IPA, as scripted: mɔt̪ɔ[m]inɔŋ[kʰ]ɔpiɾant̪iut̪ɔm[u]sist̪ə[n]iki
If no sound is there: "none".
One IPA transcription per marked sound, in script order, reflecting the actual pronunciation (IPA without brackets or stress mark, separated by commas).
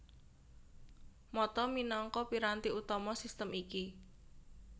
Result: m, k, ɔ, m